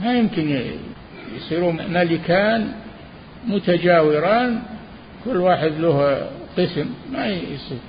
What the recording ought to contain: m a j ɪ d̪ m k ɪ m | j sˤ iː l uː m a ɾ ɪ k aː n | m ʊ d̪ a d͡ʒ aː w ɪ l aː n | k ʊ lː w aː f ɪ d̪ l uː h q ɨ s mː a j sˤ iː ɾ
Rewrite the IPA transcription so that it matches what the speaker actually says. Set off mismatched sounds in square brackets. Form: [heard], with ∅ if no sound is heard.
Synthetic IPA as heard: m a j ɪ [∅] m k ɪ [n] | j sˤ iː [ɾ] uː m a [l] ɪ k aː n | m ʊ [t̪] a d͡ʒ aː w ɪ [ɾ] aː n | k ʊ lː w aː [ħ] ɪ d̪ l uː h q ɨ s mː a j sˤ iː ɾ